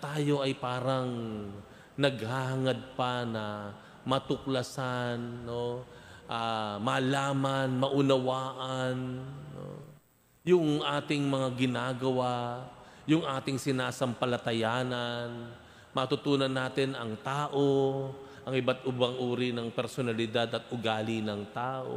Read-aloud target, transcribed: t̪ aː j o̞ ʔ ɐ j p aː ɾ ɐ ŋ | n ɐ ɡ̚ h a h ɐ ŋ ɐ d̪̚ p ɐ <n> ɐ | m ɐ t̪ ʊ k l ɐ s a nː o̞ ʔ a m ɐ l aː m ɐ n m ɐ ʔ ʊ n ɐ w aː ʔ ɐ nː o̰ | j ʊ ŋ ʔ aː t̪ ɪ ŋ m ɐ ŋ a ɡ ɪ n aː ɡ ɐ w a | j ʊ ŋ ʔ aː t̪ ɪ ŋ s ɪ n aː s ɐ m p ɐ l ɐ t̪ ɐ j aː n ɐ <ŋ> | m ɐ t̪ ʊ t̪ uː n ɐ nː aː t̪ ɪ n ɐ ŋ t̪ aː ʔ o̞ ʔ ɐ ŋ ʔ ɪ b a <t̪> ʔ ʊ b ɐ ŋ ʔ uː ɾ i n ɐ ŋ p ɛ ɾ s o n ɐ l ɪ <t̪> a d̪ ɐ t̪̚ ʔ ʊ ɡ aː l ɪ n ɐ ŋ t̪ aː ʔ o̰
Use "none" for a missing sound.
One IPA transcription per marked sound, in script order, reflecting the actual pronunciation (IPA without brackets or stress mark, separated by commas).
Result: n, n, t̪, d̪